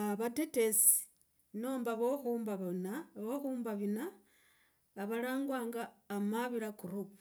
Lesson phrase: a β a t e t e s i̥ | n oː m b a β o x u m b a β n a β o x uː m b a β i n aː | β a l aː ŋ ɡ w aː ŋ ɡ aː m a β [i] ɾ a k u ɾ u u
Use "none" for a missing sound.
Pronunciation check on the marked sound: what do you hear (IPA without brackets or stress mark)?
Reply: i